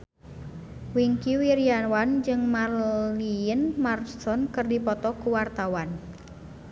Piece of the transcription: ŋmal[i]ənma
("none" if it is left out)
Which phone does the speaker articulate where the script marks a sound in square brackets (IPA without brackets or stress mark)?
i